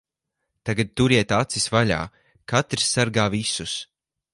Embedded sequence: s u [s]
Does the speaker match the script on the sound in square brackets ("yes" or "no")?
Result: yes